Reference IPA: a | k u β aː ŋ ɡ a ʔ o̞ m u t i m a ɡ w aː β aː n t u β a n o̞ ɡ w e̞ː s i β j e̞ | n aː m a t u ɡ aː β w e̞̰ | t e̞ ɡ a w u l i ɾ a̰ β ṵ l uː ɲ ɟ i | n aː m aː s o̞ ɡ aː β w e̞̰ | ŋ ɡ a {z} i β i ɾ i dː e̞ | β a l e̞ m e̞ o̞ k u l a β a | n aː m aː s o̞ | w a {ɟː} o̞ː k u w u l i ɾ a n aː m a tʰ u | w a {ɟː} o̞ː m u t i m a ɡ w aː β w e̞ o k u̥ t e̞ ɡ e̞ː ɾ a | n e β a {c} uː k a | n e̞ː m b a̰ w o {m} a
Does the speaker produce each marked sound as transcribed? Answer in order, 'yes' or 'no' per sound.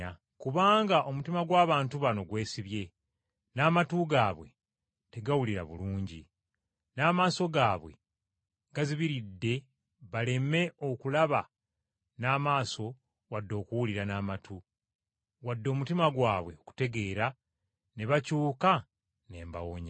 yes, no, no, yes, no

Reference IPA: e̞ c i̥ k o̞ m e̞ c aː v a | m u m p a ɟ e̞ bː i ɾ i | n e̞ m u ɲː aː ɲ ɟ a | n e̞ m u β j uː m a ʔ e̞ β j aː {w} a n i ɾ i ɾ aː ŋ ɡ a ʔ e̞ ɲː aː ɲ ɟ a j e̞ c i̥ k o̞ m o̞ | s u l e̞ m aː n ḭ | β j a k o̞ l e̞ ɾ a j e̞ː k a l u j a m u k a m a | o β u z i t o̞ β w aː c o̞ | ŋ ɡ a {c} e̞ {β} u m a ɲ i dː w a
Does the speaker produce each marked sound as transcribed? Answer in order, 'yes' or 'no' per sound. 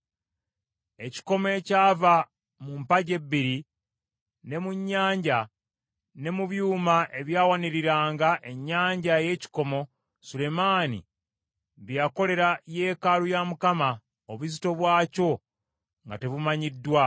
yes, no, yes

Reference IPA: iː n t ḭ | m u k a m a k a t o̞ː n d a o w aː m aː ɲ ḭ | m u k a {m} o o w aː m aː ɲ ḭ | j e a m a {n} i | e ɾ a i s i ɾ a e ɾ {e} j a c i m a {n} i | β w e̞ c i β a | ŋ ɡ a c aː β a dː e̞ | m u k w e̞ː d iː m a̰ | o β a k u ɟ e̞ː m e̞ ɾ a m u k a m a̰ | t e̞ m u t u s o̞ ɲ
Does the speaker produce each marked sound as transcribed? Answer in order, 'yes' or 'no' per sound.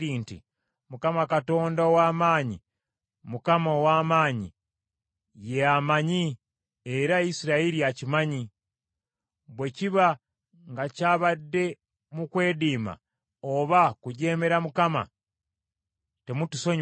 yes, no, no, no

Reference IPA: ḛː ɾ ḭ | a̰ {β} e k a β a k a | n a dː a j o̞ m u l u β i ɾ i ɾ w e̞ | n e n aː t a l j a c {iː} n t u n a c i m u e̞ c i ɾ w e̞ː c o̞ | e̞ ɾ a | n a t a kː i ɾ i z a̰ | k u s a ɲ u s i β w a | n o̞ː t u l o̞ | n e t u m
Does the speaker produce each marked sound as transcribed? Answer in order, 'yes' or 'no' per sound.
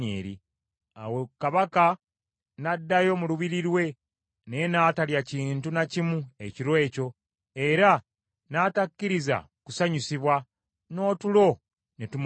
no, yes

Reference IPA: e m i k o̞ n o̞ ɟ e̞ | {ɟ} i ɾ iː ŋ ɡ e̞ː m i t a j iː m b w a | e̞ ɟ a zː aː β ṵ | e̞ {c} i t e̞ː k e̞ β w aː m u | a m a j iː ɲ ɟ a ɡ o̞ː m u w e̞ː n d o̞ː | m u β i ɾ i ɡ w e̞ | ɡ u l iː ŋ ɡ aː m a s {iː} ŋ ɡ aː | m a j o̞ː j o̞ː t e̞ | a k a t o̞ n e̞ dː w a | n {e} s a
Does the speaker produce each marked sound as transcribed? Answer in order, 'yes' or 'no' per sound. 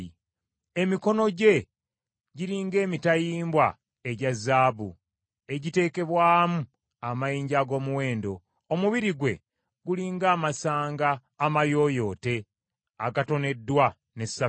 yes, no, no, yes

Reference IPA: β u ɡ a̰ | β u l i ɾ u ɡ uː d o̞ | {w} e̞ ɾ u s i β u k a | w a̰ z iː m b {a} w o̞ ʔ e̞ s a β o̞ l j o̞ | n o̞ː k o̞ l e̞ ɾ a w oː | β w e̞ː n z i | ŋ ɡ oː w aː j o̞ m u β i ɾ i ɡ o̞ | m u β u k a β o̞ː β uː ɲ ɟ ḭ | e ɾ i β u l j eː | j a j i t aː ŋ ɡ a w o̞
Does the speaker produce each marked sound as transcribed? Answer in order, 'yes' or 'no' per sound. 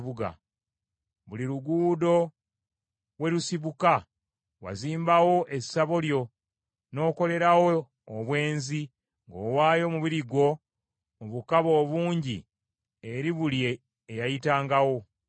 yes, yes

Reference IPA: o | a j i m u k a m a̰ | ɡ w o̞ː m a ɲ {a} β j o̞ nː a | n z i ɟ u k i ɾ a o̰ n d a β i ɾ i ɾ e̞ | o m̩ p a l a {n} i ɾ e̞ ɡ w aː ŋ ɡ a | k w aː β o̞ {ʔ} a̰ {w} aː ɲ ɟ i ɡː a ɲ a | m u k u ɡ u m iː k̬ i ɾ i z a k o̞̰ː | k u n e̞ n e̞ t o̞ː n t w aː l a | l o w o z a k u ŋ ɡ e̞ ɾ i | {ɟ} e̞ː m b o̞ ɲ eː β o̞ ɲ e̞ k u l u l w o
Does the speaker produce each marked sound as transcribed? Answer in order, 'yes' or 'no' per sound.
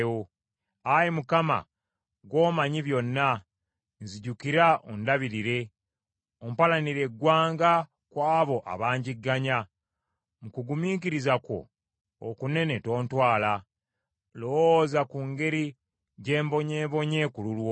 no, yes, yes, no, yes

